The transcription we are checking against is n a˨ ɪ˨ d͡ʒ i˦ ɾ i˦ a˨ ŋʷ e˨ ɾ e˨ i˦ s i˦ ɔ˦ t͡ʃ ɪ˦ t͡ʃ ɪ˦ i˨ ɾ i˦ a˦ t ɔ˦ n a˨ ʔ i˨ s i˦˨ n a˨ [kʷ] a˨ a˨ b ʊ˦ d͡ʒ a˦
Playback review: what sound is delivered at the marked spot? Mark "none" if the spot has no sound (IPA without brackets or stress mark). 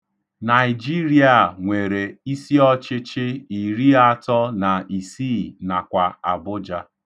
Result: kʷ